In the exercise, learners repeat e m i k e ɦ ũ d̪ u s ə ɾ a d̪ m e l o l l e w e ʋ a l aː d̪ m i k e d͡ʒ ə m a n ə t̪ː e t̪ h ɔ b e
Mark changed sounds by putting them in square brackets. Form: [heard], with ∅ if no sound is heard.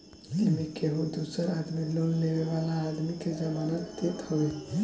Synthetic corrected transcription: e m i k e ɦ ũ d̪ u s ə ɾ a d̪ m [i] l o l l e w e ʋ a l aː d̪ m i k e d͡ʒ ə m a n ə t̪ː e t̪ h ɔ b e